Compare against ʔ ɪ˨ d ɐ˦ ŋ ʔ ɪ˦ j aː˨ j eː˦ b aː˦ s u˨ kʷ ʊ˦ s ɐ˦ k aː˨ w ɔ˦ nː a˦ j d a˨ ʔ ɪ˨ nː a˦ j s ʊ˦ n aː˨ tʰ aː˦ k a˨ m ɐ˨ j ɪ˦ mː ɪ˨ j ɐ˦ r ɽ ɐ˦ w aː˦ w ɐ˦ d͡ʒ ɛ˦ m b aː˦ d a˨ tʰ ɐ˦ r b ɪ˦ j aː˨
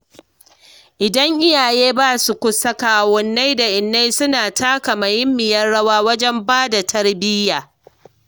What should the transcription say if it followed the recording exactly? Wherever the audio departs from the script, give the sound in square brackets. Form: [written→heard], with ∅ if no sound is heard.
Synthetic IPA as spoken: ʔ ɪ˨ d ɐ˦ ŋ ʔ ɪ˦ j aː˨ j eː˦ b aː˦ s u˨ kʷ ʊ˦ s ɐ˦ k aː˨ w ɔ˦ nː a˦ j d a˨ ʔ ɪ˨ nː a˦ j s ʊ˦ n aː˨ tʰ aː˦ k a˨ m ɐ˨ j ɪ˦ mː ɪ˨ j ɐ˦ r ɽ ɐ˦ w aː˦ w ɐ˦ d͡ʒ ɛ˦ m b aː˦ d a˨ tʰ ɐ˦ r b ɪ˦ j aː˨